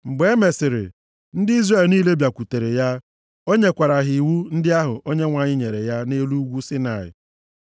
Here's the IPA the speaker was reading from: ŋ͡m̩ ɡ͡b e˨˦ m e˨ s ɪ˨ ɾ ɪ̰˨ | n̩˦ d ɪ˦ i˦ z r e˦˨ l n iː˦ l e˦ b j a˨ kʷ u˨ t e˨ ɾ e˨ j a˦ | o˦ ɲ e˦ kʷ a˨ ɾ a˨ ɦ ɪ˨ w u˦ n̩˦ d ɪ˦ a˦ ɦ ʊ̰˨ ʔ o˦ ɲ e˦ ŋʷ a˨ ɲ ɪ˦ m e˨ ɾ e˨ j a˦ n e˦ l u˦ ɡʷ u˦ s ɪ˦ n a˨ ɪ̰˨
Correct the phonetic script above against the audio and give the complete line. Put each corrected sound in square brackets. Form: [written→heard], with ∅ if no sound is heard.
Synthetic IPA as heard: ŋ͡m̩ ɡ͡b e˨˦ m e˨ s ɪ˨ ɾ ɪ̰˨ | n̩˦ d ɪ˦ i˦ z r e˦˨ l n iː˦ l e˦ b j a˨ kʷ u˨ t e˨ ɾ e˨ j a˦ | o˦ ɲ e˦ kʷ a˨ ɾ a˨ ɦ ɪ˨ w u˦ n̩˦ d ɪ˦ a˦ ɦ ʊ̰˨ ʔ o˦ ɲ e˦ ŋʷ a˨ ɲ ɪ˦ [m→ɲ] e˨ ɾ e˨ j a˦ n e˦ l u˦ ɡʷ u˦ s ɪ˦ n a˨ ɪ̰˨